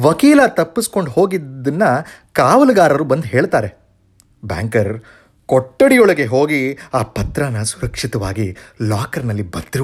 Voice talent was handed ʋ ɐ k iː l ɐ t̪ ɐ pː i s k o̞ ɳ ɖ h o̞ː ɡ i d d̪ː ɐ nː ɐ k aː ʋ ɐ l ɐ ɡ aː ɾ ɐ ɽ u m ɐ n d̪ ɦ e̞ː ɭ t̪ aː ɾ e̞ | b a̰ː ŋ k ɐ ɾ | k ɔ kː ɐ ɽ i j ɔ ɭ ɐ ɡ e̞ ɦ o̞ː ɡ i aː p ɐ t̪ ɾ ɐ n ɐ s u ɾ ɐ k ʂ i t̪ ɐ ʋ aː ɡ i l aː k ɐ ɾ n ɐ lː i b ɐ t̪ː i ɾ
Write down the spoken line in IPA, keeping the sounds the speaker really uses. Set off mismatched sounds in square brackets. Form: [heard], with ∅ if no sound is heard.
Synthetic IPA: ʋ ɐ k iː l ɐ t̪ ɐ pː i s k o̞ ɳ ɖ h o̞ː ɡ i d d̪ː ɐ nː ɐ k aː ʋ ɐ l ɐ ɡ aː ɾ ɐ [ɾ] u [b] ɐ n d̪ ɦ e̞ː ɭ t̪ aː ɾ e̞ | b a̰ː ŋ k ɐ ɾ | k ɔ [ʈː] ɐ ɽ i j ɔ ɭ ɐ ɡ e̞ ɦ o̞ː ɡ i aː p ɐ t̪ ɾ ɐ n ɐ s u ɾ ɐ k ʂ i t̪ ɐ ʋ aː ɡ i l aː k ɐ ɾ n ɐ lː i b ɐ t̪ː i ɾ